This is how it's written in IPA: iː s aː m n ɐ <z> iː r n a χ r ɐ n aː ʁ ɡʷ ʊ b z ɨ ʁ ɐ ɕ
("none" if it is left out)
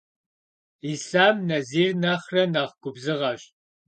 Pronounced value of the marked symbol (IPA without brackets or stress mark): z